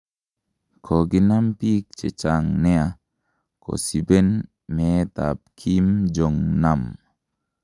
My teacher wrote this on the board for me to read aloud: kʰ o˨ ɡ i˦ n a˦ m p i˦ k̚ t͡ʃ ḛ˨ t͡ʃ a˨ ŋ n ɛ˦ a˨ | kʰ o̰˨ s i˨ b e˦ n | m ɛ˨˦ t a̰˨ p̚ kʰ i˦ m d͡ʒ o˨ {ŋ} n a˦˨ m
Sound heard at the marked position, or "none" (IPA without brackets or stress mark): ŋ